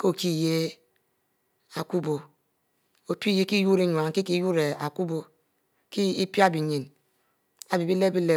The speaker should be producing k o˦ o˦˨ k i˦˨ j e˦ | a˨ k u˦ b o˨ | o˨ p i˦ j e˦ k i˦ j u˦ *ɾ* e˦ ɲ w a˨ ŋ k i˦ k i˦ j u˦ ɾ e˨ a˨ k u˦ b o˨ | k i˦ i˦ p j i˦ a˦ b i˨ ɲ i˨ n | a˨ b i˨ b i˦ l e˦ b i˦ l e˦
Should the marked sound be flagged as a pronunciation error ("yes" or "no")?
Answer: no